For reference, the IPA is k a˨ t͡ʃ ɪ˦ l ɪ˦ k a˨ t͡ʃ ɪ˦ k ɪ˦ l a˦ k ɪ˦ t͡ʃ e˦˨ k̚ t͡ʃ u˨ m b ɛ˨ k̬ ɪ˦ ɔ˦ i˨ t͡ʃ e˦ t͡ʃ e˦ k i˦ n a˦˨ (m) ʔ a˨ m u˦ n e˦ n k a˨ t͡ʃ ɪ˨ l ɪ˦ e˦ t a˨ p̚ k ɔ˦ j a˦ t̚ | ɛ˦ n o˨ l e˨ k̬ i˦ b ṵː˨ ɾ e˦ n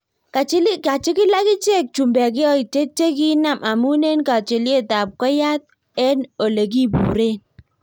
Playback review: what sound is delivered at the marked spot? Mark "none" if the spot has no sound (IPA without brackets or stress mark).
m